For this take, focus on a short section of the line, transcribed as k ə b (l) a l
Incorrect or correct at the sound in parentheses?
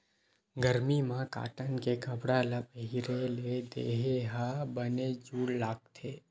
incorrect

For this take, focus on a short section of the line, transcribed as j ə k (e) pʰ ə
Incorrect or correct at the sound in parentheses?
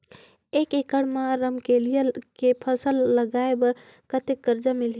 correct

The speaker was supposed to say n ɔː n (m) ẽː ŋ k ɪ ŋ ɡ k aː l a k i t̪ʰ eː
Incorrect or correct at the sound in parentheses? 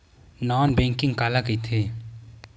incorrect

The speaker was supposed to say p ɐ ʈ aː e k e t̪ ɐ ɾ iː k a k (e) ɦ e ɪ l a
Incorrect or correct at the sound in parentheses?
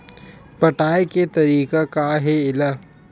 incorrect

